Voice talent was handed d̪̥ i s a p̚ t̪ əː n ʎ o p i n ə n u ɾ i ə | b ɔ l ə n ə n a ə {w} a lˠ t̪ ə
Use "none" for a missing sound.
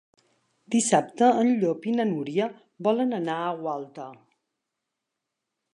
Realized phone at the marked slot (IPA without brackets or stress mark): w